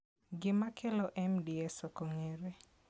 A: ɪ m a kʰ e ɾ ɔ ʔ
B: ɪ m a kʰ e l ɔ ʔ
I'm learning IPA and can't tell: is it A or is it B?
B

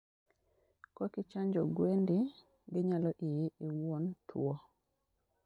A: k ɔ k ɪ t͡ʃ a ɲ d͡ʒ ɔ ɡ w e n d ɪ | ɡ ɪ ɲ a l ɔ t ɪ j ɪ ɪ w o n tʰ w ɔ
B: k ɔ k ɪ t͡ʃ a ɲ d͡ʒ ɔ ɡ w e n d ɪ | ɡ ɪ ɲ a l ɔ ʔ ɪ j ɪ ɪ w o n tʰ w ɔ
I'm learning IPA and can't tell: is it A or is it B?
B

